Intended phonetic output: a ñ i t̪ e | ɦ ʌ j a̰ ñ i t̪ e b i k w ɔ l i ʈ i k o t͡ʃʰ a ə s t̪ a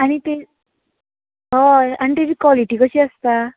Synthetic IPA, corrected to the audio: a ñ i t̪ e | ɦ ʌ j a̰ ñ i t̪ e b i k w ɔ l i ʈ i k o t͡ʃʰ i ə s t̪ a